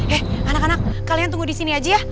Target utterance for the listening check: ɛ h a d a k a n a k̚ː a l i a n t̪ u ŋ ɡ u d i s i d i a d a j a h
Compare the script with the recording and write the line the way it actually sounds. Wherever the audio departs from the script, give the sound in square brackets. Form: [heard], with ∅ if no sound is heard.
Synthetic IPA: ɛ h a [n] a k a n a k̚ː a l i a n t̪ u ŋ ɡ u d i s i [n] i a [d͡ʒ] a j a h